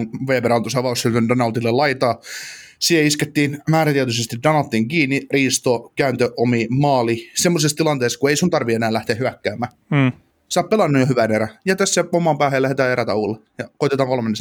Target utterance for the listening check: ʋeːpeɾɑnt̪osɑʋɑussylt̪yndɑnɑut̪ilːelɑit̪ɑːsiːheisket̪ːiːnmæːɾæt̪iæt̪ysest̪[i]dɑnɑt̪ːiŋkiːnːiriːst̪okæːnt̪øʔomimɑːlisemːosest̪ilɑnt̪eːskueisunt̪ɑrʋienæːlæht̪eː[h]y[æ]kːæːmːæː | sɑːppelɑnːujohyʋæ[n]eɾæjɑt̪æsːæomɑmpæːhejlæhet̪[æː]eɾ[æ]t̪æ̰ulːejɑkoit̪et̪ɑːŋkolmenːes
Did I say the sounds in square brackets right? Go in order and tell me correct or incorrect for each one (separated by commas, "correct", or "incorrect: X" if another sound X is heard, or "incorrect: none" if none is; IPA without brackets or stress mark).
correct, correct, correct, correct, correct, correct